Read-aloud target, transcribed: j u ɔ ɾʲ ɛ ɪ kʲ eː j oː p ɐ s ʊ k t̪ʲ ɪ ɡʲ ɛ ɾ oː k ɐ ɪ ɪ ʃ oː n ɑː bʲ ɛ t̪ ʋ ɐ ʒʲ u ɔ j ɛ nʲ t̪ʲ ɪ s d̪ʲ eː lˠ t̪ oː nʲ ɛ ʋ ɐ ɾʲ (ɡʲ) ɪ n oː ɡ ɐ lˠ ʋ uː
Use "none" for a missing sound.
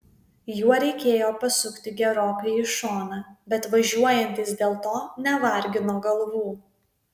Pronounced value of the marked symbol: ɡʲ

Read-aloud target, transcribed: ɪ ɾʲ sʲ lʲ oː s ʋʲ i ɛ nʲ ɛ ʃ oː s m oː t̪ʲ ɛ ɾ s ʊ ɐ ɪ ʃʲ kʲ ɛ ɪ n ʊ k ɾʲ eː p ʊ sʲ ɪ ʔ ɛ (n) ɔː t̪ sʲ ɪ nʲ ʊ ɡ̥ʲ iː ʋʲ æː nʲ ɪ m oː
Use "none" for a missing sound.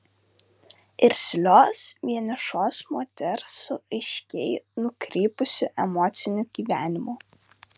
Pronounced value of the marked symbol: m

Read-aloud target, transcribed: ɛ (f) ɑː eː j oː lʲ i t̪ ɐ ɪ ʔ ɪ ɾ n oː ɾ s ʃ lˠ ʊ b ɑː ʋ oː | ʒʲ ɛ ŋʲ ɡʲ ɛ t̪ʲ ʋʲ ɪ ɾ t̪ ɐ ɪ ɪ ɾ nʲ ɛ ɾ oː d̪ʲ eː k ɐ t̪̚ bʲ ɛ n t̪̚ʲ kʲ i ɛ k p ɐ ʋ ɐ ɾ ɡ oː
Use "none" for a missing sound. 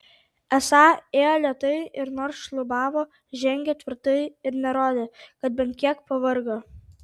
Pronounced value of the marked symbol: s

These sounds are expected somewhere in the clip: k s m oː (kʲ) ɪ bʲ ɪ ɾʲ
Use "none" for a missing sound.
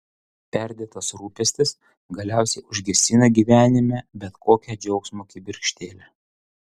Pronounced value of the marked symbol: kʲ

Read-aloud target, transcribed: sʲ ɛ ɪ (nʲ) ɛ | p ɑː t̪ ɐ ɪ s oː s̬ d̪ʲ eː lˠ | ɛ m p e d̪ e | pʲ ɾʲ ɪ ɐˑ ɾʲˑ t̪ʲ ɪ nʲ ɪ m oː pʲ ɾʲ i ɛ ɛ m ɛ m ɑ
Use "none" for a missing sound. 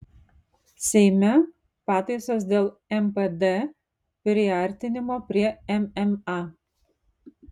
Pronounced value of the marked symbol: mʲ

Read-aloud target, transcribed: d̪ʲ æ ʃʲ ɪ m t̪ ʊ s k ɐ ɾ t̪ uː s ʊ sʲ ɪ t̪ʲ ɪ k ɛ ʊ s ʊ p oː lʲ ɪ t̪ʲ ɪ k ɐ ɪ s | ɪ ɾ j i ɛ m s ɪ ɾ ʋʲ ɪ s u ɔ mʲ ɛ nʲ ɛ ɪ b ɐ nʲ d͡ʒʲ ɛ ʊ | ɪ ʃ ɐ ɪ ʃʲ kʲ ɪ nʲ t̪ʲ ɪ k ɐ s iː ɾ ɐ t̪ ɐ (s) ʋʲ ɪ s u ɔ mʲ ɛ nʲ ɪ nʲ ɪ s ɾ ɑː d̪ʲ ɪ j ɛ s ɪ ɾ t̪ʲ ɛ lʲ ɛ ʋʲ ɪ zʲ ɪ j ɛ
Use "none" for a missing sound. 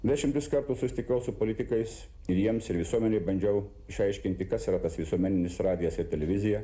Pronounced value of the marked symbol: s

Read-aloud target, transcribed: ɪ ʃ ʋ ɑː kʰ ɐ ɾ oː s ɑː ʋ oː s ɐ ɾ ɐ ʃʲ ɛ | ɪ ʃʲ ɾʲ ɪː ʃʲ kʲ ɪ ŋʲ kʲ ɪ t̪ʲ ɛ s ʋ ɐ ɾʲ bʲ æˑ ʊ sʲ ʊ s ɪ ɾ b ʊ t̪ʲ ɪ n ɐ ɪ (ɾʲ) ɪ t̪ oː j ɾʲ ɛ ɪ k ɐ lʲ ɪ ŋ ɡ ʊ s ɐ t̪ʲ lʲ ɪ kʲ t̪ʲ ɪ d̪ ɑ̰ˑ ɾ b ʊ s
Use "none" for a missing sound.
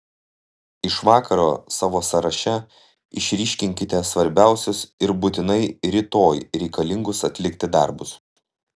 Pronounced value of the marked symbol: ɾʲ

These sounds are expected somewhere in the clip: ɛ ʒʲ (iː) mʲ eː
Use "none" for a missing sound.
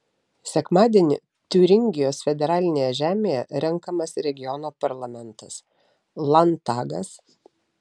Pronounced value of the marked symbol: æː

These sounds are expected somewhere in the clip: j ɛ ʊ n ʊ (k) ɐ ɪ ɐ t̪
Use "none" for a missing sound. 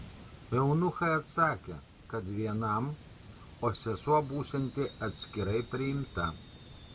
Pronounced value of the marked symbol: x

